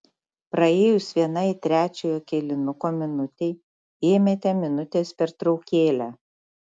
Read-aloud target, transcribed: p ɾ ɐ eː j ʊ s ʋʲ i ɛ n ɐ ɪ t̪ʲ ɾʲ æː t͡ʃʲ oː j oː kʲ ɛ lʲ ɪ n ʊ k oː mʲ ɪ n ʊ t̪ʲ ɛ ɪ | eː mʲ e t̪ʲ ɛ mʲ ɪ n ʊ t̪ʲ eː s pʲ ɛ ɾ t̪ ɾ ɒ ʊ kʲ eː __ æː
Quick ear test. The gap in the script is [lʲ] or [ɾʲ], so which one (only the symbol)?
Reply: lʲ